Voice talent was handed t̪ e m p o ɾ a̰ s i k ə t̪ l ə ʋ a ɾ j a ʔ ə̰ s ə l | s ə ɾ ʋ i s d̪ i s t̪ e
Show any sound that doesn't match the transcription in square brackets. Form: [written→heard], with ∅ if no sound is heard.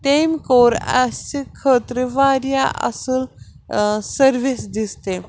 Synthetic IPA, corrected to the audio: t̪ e m [p→k] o ɾ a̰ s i [k→kʰ] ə t̪ [l→ɾ] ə ʋ a ɾ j a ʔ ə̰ s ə l | s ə ɾ ʋ i s d̪ i s t̪ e